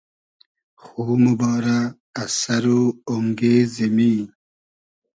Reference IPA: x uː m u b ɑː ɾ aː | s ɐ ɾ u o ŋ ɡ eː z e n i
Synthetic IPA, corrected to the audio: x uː m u b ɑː ɾ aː | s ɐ ɾ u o ŋ ɡ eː z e m i